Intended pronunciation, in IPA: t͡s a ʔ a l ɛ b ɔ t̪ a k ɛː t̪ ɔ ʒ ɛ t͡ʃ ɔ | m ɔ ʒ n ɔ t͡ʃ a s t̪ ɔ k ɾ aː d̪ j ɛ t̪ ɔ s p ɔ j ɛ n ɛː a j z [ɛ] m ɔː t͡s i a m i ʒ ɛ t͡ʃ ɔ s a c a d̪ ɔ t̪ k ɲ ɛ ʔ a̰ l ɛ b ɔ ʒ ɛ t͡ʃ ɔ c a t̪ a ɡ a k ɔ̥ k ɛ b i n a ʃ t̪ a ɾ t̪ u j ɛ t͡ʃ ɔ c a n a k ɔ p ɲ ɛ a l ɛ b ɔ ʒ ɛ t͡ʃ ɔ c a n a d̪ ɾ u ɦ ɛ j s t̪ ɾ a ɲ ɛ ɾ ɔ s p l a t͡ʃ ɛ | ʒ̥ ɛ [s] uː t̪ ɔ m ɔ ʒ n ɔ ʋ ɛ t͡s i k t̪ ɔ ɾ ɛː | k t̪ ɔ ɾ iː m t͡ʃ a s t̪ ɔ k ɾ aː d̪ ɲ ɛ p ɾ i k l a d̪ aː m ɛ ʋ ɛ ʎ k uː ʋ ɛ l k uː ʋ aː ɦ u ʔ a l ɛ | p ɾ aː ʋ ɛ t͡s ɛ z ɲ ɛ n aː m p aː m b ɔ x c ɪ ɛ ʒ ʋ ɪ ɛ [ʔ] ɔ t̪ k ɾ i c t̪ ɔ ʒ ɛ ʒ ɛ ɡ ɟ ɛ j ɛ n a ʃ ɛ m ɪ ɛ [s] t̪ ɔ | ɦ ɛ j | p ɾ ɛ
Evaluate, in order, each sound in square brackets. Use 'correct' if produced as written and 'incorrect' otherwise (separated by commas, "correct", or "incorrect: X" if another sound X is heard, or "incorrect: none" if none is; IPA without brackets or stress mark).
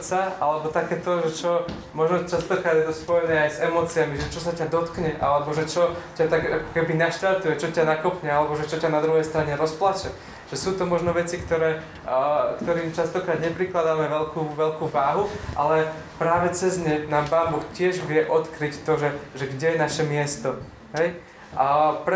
correct, correct, correct, correct